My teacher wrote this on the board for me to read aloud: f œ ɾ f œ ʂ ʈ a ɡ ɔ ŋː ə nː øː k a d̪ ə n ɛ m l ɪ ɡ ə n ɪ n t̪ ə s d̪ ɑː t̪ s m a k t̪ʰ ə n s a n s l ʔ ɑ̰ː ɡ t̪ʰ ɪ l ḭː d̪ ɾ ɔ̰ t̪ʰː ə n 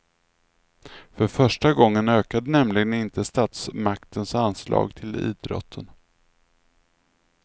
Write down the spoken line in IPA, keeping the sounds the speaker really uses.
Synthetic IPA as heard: f œ ɾ f œ ʂ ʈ a ɡ ɔ ŋː ə n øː k a d̪ ə n ɛ m l ɪ ɡ ə n ɪ n t̪ ə s t̪ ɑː t̪ s m a k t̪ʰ ə n s a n s l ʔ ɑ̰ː ɡ t̪ʰ ɪ l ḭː d̪ ɾ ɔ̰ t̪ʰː ə n